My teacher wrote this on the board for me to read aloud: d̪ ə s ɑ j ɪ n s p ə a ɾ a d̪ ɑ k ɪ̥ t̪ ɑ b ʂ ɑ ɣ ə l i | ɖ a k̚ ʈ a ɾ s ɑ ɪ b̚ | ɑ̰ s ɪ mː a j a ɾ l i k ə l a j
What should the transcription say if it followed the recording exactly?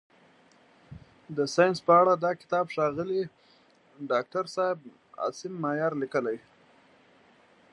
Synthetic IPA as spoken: d̪ ə s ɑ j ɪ n s p ə a ɽ a d̪ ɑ k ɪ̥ t̪ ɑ b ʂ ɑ ɣ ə l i | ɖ ɑ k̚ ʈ a ɾ s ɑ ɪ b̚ | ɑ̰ s ɪ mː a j ɑ ɾ l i k ə l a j